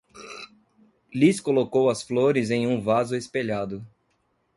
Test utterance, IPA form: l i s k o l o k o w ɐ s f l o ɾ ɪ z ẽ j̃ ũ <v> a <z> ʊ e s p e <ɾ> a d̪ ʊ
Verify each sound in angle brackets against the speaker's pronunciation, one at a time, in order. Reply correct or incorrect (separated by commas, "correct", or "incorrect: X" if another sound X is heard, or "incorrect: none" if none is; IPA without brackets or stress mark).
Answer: correct, correct, incorrect: ʎ